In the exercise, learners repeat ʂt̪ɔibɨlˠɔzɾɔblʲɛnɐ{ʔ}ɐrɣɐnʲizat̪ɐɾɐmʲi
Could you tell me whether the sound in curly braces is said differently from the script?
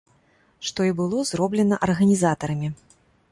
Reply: no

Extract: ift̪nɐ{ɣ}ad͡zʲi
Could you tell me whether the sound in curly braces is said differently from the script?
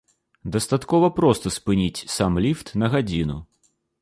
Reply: no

